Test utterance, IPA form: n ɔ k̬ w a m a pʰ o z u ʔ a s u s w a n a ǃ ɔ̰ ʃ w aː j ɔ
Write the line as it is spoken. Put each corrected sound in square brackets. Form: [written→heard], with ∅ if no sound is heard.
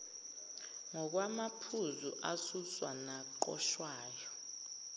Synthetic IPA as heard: [n→ŋ] ɔ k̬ w a m a pʰ [o→u] z u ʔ a s u s w a n a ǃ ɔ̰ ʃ w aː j ɔ